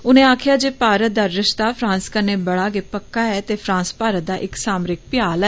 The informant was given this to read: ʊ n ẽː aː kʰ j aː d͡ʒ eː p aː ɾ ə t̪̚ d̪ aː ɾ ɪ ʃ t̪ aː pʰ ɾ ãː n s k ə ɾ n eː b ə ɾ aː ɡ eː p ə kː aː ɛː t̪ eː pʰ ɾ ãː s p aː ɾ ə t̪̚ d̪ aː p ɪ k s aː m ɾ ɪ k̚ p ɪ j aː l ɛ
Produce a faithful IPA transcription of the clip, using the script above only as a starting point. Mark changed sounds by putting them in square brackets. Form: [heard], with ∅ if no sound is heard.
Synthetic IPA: ʊ n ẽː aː kʰ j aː d͡ʒ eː p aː ɾ ə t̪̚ d̪ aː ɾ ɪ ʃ t̪ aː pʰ ɾ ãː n s k ə ɾ n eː b ə [ɽ] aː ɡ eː p ə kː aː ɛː t̪ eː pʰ ɾ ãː s p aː ɾ ə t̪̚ d̪ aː [ʔ] ɪ k s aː m ɾ ɪ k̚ p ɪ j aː l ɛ